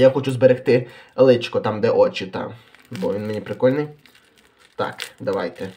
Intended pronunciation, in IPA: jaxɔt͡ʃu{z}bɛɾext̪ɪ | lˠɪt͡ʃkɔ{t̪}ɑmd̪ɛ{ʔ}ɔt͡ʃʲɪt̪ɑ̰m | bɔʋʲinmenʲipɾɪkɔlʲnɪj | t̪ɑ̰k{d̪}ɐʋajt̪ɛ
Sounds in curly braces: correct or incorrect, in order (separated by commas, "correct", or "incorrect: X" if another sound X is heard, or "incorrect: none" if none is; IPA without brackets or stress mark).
correct, correct, correct, correct